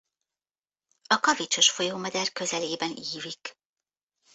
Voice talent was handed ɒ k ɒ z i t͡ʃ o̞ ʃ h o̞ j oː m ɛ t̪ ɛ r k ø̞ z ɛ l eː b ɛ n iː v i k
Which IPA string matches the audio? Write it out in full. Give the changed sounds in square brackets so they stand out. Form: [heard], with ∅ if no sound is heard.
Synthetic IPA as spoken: ɒ k ɒ [v] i t͡ʃ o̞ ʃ [f] o̞ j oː m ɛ [d̪] ɛ r k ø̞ z ɛ l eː b ɛ n iː v i k